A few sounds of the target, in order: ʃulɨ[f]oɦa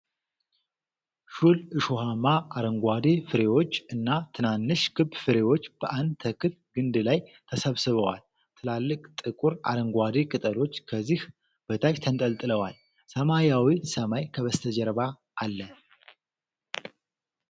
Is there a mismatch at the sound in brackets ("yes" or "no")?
yes